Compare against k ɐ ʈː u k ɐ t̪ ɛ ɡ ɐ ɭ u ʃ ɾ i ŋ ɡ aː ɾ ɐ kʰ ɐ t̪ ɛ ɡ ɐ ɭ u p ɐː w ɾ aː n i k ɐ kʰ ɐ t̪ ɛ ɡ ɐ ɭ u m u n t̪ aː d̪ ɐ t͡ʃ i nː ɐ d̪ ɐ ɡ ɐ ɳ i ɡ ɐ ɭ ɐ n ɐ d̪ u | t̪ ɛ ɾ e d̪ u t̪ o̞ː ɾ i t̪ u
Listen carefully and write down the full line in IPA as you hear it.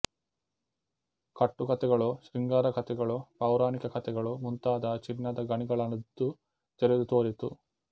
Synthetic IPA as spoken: k ɐ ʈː u k ɐ t̪ ɛ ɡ ɐ ɭ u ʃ ɾ i ŋ ɡ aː ɾ ɐ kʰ ɐ t̪ ɛ ɡ ɐ ɭ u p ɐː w ɾ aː n i k ɐ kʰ ɐ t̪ ɛ ɡ ɐ ɭ u m u n t̪ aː d̪ ɐ t͡ʃ i nː ɐ d̪ ɐ ɡ ɐ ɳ i ɡ ɐ ɭ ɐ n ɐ d̪ u | t̪ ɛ ɾ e d̪ u t̪ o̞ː ɾ i t̪ u